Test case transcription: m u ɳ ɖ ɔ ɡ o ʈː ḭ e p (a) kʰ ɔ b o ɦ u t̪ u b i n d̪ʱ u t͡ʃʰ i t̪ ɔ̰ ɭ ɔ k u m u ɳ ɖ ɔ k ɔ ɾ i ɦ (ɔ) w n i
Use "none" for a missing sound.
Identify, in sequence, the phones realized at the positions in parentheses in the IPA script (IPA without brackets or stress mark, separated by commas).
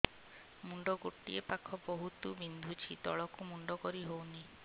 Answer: a, o